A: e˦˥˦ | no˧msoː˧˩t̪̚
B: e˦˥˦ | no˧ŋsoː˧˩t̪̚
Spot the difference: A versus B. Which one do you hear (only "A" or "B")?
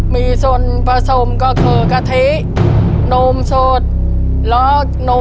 A